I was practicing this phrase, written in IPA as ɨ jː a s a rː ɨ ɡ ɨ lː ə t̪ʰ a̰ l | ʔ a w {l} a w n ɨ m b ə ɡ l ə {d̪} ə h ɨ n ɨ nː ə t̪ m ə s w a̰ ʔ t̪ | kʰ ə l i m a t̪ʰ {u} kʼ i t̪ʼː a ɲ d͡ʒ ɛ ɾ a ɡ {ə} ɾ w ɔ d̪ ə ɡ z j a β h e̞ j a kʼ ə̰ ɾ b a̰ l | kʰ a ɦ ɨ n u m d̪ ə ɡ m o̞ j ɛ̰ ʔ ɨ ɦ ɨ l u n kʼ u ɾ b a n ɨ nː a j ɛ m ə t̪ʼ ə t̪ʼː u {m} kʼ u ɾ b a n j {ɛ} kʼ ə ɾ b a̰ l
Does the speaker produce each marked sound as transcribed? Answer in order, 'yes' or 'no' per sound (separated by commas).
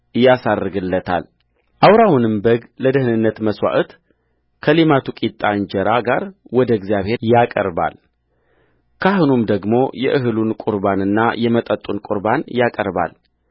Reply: no, yes, yes, no, no, no